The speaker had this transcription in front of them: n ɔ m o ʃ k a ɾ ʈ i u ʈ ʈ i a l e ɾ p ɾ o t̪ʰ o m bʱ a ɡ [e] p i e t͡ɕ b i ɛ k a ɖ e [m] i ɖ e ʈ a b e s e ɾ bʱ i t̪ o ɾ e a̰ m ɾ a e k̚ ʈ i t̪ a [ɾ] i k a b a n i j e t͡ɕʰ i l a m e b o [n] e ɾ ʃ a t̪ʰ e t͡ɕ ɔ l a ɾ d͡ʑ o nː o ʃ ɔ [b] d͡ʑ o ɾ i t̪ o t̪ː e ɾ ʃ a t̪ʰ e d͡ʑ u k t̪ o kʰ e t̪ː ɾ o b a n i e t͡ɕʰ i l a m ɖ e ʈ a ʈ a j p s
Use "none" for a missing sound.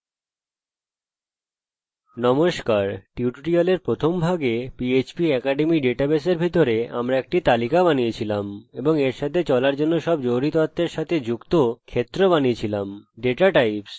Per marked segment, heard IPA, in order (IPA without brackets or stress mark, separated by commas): e, m, l, ŋ, b